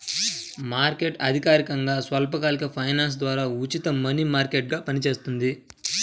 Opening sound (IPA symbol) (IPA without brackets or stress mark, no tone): m